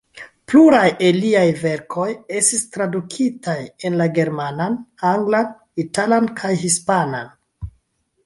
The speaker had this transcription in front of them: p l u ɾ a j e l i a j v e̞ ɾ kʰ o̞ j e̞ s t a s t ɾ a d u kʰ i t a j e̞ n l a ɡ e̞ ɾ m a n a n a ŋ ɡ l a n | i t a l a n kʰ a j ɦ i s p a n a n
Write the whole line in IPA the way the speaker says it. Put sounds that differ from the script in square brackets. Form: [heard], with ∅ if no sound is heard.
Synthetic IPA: p l u ɾ a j e l i a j v e̞ ɾ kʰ o̞ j e̞ s t [i] s t ɾ a d u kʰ i t a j e̞ n l a ɡ e̞ ɾ m a n a n a ŋ ɡ l a n | i t a l a n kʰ a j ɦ i s p a n a n